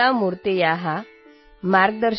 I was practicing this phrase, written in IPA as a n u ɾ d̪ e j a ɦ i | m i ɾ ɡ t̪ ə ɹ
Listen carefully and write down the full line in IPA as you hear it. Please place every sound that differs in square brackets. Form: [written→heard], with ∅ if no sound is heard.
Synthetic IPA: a [n→m] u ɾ [d̪→t̪] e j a ɦ [i→a] | m [i→a] ɾ ɡ [t̪→d̪] ə [ɹ→ɾ]